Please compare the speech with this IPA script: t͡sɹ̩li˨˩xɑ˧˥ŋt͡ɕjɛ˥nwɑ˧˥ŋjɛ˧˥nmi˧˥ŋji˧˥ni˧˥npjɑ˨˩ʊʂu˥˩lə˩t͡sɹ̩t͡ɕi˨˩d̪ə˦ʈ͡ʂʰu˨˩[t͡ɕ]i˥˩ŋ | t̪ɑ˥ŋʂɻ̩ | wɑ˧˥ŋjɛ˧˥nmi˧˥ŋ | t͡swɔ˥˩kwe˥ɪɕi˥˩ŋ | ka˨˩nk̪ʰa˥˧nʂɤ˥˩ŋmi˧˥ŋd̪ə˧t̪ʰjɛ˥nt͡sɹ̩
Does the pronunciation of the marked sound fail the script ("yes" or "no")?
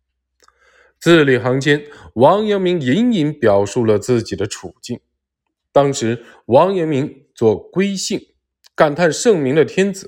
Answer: no